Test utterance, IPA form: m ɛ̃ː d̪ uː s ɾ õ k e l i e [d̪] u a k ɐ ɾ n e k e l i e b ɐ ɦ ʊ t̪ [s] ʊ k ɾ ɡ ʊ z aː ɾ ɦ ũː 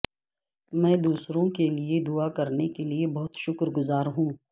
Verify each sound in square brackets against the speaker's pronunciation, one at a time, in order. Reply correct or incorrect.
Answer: correct, incorrect: ʃ

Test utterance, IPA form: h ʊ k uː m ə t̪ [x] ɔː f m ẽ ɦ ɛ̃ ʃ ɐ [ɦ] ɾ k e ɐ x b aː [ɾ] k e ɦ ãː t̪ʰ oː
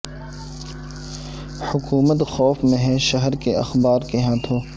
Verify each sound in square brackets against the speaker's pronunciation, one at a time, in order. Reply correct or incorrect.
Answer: correct, correct, correct

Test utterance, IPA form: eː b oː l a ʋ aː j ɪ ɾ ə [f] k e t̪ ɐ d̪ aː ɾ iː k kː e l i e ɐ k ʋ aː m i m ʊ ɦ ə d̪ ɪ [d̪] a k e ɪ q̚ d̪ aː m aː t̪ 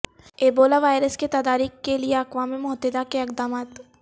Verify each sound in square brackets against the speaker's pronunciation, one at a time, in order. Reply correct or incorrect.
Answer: incorrect: s, correct

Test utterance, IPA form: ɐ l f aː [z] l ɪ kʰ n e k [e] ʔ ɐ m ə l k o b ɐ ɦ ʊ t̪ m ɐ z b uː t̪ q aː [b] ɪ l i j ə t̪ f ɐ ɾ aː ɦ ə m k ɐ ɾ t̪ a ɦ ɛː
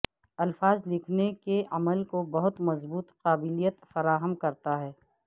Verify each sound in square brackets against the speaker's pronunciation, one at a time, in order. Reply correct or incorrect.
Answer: correct, correct, correct

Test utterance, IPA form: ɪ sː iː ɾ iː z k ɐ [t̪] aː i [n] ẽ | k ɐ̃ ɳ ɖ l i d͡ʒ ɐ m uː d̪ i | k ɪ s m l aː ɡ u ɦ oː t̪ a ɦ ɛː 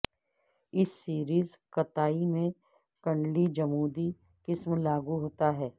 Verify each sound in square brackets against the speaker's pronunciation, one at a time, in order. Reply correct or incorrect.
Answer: correct, incorrect: m

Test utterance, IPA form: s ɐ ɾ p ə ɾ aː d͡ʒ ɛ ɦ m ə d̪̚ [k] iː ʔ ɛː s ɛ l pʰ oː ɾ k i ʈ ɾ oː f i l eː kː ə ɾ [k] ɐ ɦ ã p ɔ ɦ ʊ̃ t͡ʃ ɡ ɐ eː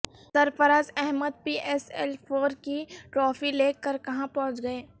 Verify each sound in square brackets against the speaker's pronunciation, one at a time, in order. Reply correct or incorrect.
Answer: incorrect: p, correct

